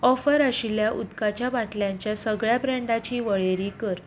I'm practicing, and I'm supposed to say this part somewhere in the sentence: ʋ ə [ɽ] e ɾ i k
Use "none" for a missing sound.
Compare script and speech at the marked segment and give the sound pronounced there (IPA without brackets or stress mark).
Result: ɭ